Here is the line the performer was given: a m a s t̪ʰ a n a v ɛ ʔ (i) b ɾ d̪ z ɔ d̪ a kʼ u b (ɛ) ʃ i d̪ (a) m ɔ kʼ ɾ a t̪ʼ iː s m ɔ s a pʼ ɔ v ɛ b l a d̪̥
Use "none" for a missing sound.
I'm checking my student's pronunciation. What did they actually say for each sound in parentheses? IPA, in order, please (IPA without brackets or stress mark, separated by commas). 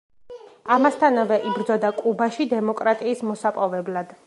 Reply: i, a, ɛ